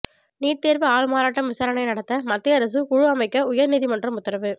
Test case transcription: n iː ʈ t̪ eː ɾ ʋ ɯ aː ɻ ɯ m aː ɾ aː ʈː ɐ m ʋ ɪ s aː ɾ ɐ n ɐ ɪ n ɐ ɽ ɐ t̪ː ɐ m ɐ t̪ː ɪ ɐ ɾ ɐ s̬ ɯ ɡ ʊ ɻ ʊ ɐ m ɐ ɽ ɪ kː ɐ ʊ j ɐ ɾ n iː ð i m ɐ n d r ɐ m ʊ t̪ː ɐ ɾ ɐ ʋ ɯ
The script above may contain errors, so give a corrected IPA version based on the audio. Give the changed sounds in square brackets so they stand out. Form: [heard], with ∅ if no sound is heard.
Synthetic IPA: n iː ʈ t̪ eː ɾ ʋ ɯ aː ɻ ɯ m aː ɾ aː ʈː ɐ m ʋ ɪ s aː ɾ ɐ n ɐ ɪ n ɐ ɽ ɐ t̪ː ɐ m ɐ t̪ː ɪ ɐ ɾ ɐ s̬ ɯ [k] ʊ ɻ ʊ ɐ m ɐ [∅] ɪ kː ɐ ʊ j ɐ ɾ n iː ð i m ɐ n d r ɐ m ʊ t̪ː ɐ ɾ ɐ ʋ ɯ